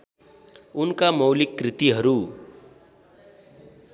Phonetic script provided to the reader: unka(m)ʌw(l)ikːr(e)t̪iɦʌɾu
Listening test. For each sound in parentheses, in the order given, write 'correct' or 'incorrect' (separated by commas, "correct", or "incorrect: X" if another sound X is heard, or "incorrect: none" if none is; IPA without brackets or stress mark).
correct, correct, incorrect: i